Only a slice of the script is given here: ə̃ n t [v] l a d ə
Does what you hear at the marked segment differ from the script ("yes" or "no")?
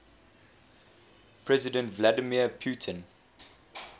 no